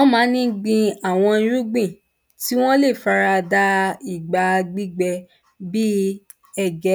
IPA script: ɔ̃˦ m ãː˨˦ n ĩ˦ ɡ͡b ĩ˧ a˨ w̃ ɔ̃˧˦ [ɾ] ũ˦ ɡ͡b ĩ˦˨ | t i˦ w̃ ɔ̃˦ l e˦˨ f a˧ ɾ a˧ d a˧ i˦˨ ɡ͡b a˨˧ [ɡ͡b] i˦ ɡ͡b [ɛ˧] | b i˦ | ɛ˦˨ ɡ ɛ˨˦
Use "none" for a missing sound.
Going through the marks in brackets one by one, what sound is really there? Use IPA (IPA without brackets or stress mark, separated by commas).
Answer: ɾ, ɡ͡b, ɛ˧